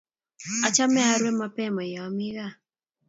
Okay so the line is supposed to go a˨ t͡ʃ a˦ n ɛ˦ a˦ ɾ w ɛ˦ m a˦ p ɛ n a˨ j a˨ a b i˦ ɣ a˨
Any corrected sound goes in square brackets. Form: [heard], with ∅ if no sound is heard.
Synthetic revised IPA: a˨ t͡ʃ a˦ [m] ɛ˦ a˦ ɾ w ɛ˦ m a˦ p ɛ [m] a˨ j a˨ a [m] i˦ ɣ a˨